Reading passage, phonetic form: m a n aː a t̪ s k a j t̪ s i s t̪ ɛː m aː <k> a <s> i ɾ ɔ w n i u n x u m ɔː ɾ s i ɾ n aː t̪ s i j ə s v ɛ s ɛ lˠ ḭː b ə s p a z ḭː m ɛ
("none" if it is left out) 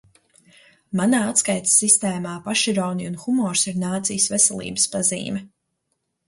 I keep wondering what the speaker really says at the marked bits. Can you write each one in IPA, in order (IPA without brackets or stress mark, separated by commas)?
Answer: p, ʃ